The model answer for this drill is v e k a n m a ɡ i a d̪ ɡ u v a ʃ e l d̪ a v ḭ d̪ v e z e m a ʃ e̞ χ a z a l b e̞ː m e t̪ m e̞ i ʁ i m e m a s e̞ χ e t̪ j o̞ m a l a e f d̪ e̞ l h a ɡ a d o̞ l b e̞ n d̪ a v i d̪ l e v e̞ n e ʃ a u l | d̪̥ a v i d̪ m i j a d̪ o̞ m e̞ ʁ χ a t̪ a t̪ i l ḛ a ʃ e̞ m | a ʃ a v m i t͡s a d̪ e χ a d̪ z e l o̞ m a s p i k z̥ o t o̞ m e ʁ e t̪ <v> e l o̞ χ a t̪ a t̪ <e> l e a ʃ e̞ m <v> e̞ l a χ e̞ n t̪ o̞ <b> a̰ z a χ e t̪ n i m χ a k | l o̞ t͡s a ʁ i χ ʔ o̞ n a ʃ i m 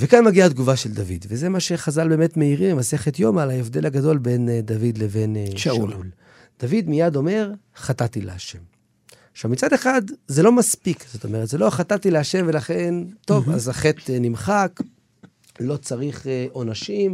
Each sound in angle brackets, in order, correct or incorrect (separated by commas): incorrect, incorrect, correct, incorrect